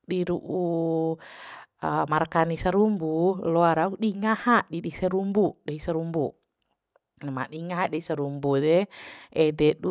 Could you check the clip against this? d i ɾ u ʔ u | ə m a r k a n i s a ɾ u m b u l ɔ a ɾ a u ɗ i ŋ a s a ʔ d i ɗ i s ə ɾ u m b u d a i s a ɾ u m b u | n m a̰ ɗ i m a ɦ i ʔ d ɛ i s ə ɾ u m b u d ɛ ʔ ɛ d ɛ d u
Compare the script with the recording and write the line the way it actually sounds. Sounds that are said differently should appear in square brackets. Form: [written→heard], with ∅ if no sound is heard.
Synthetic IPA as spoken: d i ɾ u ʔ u | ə m a r k a n i s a ɾ u m b u l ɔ a ɾ a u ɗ i ŋ a [s→h] a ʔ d i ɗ i s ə ɾ u m b u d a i s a ɾ u m b u | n m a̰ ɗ i [m→ŋ] a ɦ [i→a] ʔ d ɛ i s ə ɾ u m b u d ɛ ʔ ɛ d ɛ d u